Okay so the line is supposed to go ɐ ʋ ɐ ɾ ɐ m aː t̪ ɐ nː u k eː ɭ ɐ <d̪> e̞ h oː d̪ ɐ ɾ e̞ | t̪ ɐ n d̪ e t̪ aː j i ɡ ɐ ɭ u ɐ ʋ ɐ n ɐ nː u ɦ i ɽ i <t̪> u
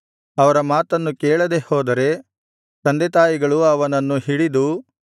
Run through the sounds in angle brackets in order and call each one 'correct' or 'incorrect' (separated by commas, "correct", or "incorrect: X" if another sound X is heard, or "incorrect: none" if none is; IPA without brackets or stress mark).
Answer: correct, incorrect: d̪